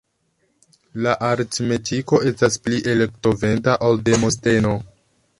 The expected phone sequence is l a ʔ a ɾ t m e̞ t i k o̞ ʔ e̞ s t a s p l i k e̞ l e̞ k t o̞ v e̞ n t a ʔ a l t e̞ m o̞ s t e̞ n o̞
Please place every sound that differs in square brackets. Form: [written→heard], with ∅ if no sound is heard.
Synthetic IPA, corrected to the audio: l a ʔ a ɾ t m e̞ t i k o̞ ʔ e̞ s t a s p l i [k→ʔ] e̞ l e̞ k t o̞ v e̞ n t a ʔ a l [t→d] e̞ m o̞ s t e̞ n o̞